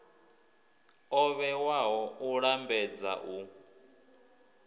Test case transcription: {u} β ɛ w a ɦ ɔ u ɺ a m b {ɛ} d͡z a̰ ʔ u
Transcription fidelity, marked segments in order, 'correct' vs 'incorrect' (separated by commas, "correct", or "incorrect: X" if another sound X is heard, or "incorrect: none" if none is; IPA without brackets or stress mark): incorrect: ɔ, correct